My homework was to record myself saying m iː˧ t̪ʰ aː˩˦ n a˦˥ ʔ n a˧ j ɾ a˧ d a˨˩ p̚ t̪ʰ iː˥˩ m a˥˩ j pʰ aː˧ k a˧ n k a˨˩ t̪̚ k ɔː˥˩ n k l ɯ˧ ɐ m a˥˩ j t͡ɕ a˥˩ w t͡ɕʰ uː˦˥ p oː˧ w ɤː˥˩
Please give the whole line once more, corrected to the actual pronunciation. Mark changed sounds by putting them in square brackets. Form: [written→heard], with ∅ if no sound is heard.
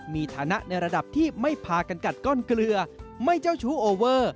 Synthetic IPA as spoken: m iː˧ t̪ʰ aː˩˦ n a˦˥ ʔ n a˧ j ɾ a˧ d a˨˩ p̚ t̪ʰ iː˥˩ m a˥˩ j pʰ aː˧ k a˧ n k a˨˩ t̪̚ k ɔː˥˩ n k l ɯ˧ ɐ m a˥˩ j t͡ɕ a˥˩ w t͡ɕʰ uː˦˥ [p→ʔ] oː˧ w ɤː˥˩